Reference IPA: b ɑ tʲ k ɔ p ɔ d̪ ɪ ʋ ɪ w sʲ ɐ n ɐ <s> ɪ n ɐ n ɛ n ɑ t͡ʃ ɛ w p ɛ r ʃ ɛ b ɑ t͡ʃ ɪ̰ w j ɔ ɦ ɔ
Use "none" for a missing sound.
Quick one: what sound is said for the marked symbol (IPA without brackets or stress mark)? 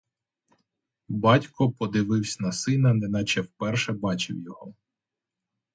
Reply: s